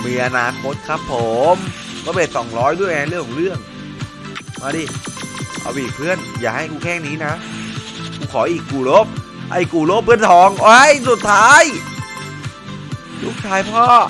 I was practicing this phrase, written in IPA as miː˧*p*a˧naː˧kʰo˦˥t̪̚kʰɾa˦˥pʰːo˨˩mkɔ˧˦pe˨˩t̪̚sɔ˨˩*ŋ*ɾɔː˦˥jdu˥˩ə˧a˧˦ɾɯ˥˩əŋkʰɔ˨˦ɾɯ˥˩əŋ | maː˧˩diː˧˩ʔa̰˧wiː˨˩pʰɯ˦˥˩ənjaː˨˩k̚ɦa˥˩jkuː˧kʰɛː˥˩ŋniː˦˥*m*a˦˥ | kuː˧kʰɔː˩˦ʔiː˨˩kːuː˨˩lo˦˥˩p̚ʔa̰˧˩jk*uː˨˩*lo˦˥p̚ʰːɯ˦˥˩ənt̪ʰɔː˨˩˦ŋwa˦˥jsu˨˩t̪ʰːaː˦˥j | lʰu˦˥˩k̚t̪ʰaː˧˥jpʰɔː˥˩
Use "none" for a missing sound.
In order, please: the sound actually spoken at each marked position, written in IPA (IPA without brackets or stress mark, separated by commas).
ʔ, ŋ, n, uː˨˩